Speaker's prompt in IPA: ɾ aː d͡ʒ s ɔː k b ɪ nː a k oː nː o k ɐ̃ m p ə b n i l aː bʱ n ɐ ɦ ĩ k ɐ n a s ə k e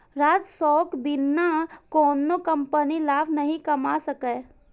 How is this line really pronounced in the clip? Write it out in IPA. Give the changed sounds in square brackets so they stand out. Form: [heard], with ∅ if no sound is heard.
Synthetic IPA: ɾ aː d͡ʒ s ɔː k b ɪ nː a k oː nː o k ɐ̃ m p ə [∅] n i l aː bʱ n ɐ ɦ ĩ k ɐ [m] a s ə k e

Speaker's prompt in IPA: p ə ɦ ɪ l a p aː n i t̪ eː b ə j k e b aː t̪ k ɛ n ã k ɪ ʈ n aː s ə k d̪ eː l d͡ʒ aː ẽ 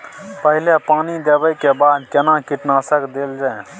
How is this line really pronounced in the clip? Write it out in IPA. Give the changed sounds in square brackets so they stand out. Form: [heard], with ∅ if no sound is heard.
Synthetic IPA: p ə ɦ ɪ l [e] p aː n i [d̪] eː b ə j k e b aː [d̪] k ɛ n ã k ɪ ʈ n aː s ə k d̪ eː l d͡ʒ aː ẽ

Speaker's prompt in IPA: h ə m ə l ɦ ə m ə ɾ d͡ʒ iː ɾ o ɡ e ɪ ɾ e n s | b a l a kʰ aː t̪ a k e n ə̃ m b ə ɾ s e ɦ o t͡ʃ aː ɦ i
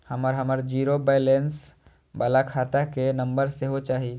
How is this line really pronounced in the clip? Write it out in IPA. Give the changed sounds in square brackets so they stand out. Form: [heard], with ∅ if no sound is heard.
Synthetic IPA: h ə m ə [ɾ] ɦ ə m ə ɾ d͡ʒ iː ɾ o [b] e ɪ [l] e n s | b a l a kʰ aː t̪ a k e n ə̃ m b ə ɾ s e ɦ o t͡ʃ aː ɦ i

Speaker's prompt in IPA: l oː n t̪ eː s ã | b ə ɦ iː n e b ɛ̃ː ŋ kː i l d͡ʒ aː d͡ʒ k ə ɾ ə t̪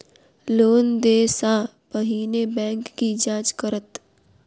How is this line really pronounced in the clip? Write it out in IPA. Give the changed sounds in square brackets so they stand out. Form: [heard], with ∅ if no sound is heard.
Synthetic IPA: l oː n [d̪] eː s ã | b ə ɦ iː n e b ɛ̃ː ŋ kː i [∅] d͡ʒ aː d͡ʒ k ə ɾ ə t̪

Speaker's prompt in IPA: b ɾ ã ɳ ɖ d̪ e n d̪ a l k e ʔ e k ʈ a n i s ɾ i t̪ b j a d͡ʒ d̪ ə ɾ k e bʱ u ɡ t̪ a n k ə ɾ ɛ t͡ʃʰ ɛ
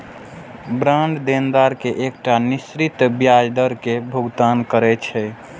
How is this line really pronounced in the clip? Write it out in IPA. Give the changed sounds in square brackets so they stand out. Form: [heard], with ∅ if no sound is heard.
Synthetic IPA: b ɾ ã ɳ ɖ d̪ e n d̪ a [ɾ] k e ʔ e k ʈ a n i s ɾ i t̪ b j a d͡ʒ d̪ ə ɾ k e bʱ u ɡ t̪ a n k ə ɾ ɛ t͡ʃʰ ɛ

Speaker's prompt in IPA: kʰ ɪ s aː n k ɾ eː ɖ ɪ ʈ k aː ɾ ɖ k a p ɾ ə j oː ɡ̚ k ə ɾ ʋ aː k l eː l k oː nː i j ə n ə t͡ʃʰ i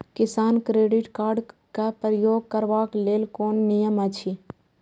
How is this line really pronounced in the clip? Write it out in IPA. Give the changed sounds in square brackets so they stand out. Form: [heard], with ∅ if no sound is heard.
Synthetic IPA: [k] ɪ s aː n k ɾ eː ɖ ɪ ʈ k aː ɾ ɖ k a p ɾ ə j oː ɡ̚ k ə ɾ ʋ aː k l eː l k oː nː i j ə [m] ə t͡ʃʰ i

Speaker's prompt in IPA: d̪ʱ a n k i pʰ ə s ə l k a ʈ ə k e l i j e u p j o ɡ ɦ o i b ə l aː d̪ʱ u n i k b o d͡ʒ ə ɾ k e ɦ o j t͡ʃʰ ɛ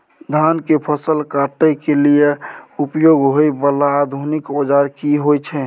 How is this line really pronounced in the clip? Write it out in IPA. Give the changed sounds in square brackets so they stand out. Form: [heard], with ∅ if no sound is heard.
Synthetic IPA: d̪ʱ a n k [e] pʰ ə s ə l k a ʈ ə k e l i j e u p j o ɡ ɦ o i b ə l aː d̪ʱ u n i k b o d͡ʒ [a] ɾ k [i] ɦ o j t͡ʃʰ ɛ

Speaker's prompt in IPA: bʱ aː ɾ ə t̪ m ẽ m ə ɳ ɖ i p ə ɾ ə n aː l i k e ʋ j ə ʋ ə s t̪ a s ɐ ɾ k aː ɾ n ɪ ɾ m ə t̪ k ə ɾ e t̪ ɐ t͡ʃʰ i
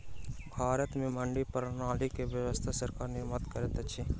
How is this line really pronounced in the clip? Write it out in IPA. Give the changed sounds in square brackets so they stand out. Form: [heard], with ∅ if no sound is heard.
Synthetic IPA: bʱ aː ɾ ə t̪ m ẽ m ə ɳ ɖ i p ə ɾ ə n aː l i k e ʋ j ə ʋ ə s [t̪ʰ] a s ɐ ɾ k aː ɾ n ɪ ɾ m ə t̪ k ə ɾ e t̪ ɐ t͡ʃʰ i

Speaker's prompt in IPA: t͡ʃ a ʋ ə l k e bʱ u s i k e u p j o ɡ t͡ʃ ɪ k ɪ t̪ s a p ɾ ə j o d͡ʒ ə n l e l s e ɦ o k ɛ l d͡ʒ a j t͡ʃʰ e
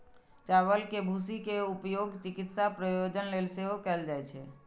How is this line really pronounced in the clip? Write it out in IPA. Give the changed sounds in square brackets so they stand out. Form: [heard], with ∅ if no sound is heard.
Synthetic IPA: t͡ʃ a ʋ ə l k e bʱ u s i k e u p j o ɡ t͡ʃ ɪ k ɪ t̪ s a p ɾ ə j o d͡ʒ ə n l e l s e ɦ o k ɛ l d͡ʒ a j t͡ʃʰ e

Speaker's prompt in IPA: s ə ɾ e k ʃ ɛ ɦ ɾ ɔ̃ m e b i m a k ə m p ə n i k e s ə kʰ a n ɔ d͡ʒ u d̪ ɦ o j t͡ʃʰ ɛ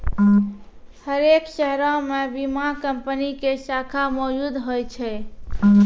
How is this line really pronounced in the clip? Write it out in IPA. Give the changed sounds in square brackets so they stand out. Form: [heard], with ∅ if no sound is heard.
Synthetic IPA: [h] ə ɾ e k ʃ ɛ ɦ ɾ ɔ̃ m e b i m a k ə m p ə n i k e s [a] kʰ a [m] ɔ d͡ʒ u d̪ ɦ o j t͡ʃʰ ɛ

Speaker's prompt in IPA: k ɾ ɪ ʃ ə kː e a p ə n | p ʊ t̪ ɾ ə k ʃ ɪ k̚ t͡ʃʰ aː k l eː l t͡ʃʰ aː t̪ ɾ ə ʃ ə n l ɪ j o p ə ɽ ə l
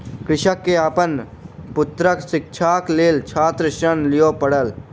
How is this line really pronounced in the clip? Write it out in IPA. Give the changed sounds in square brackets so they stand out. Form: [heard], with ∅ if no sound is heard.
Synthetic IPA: k ɾ ɪ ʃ ə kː e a p ə n | p ʊ t̪ ɾ ə k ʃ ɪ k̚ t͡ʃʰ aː k l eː l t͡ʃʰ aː t̪ ɾ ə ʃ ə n l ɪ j o p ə ɽ ə l

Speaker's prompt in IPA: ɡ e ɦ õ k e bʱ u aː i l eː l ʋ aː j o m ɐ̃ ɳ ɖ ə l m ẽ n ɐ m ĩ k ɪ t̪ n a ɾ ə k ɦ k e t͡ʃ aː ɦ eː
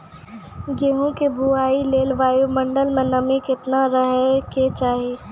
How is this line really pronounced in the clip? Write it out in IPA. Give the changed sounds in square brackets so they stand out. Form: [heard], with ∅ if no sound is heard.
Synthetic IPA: ɡ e ɦ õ k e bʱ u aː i l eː l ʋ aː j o m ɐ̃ ɳ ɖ ə l m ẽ n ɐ m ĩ k ɪ t̪ n a ɾ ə [∅] ɦ k e t͡ʃ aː ɦ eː

